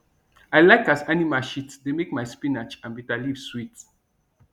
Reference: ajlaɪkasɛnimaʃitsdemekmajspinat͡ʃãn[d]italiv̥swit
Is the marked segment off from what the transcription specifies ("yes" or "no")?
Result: yes